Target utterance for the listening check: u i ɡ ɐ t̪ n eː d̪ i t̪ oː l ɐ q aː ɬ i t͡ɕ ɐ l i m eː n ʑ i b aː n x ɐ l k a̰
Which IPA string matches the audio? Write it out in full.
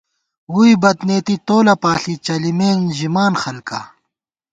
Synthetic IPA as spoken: u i b ɐ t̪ n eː t̪ i t̪ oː l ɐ p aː ɬ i t͡ɕ ɐ l i m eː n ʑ i m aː n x ɐ l k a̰